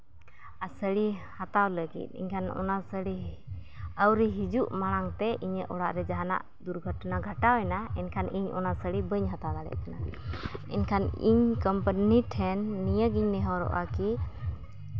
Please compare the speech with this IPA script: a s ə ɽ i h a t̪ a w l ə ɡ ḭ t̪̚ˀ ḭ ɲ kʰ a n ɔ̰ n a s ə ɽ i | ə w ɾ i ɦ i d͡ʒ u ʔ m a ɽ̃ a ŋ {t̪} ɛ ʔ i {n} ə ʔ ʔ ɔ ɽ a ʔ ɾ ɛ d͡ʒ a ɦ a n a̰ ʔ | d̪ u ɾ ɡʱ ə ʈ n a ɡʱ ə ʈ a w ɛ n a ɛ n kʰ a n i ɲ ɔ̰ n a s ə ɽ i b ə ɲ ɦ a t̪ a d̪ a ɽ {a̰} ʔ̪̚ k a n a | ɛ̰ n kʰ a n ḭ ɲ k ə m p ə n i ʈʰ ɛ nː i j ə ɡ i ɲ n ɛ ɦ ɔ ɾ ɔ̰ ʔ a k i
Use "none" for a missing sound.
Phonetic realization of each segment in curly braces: t̪, ɲ, ɛ̰

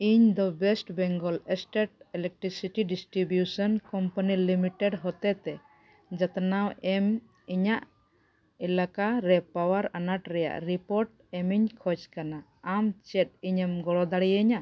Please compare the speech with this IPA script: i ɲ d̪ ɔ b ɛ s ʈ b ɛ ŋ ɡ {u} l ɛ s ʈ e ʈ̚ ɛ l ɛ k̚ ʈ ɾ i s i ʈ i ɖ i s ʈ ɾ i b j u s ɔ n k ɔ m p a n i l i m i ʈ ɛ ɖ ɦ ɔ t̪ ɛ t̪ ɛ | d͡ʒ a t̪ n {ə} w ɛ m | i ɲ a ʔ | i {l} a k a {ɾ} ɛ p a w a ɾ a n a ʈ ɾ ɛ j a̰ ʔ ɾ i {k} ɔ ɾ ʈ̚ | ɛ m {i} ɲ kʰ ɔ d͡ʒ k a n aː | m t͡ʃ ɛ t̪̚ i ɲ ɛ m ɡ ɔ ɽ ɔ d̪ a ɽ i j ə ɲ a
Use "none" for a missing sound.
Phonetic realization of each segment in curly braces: ɔ, a, l, ɾ, p, i

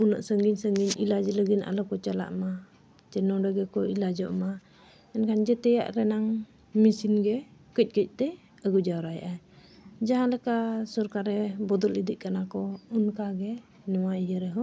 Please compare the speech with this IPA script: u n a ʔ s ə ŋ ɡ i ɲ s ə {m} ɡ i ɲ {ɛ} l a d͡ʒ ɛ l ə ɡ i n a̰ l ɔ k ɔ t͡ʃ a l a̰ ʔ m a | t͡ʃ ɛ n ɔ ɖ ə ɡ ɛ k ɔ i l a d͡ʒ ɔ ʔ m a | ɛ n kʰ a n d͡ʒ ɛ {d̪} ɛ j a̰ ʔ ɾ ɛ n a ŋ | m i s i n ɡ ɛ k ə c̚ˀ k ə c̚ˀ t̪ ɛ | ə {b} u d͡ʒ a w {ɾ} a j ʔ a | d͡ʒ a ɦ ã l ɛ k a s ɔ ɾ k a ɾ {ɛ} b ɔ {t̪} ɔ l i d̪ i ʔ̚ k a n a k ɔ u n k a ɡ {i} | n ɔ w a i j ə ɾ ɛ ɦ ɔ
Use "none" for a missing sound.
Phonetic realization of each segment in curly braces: ŋ, i, t̪, ɡ, ɾ, ɛ, d̪, ɛ

